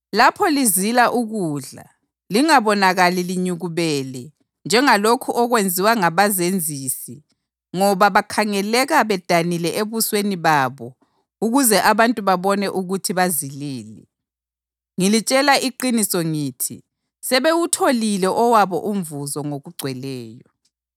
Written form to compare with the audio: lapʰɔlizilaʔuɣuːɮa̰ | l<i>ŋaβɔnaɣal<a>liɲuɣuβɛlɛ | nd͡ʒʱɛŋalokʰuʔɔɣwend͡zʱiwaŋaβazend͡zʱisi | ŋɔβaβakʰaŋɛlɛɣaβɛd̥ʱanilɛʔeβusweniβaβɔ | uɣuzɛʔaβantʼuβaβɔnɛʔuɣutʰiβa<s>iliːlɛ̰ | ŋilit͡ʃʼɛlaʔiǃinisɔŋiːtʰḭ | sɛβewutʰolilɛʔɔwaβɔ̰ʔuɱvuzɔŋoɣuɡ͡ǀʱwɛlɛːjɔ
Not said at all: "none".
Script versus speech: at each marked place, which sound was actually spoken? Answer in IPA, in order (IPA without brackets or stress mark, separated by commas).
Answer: i, i, z